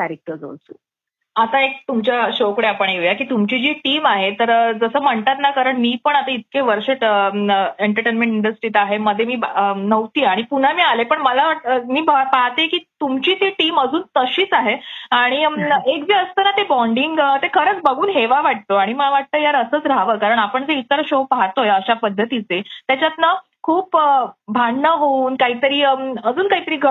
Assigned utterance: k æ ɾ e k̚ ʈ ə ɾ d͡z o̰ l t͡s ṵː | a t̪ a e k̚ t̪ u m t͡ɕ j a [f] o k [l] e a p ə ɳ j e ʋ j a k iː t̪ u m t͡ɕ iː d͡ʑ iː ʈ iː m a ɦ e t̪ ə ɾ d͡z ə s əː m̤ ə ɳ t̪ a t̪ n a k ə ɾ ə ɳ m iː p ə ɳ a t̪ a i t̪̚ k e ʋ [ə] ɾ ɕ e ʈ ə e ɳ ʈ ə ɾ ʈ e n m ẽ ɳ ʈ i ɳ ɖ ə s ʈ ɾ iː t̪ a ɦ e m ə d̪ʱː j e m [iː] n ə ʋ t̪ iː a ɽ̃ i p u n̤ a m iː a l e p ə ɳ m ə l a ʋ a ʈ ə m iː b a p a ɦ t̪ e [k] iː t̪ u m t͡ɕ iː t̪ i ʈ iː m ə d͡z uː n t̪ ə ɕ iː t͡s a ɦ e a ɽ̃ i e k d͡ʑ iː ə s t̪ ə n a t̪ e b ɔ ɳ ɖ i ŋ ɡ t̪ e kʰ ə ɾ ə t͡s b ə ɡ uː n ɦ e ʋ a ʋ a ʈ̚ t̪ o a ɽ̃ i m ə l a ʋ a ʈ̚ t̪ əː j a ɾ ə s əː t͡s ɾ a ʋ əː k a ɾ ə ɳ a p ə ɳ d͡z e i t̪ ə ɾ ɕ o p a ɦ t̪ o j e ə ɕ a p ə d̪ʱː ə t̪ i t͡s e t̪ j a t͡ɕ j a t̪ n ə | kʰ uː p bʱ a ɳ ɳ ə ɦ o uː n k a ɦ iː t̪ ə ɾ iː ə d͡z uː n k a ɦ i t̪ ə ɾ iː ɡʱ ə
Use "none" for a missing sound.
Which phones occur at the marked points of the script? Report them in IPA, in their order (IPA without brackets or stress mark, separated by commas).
ɕ, ɽ, ə, iː, k